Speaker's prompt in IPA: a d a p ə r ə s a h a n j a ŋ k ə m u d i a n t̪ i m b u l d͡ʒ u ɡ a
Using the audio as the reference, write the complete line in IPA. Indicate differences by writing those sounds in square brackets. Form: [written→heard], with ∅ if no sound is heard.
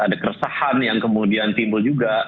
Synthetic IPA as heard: a d a [p→k] ə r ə s a h a n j a ŋ k ə m u d i a n t̪ i m b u l d͡ʒ u ɡ a